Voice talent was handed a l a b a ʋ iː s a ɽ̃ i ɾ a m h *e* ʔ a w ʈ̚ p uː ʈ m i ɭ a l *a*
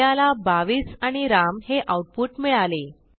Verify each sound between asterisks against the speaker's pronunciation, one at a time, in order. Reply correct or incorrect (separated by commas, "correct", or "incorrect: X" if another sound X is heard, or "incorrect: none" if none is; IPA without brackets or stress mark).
correct, incorrect: e